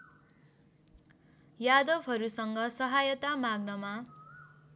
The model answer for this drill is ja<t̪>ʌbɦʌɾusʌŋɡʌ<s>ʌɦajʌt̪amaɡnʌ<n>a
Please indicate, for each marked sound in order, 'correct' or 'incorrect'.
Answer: incorrect, correct, incorrect

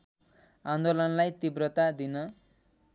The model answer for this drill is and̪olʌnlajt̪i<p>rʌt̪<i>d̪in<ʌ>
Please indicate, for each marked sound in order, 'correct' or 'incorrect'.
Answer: incorrect, incorrect, correct

